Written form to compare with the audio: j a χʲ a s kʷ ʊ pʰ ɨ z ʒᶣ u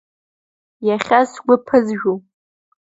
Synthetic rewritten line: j a χʲ a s ɡʷ ʊ pʰ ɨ z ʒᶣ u